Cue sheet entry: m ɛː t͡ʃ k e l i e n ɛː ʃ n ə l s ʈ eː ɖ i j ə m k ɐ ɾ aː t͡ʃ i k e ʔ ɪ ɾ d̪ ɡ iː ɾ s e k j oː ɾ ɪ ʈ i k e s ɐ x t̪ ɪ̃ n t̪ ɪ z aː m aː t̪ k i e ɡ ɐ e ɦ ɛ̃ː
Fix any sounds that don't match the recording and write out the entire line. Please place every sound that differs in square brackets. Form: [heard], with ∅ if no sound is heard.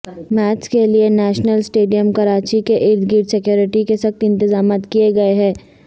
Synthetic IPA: m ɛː t͡ʃ k e l i e n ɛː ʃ n ə l s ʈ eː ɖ i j ə m k ɐ ɾ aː t͡ʃ i k e ʔ ɪ ɾ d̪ ɡ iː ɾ s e k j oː ɾ ɪ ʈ i k e s ɐ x t̪ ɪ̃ n t̪ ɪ z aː m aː t̪ k i e ɡ ɐ e ɦ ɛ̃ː